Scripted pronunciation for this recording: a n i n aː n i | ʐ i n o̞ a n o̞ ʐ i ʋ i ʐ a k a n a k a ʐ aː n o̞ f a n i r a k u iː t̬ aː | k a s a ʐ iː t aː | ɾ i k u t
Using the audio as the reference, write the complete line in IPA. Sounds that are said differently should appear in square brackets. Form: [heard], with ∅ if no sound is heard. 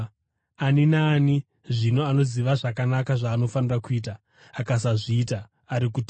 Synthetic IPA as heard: a n i n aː n i | ʐ i n o̞ a n o̞ [z] i ʋ [a] ʐ a k a n a k a ʐ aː n o̞ f a n i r a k u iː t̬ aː | k a s a ʐ iː t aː | ɾ i k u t